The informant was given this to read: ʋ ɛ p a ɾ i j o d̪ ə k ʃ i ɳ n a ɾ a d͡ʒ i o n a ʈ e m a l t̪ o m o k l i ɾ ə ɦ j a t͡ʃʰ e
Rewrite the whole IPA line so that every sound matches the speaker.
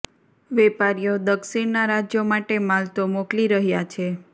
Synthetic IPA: ʋ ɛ p a ɾ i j o d̪ ə k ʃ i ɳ n a ɾ a d͡ʒ j o m a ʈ e m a l t̪ o m o k l i ɾ ə ɦ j a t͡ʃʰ e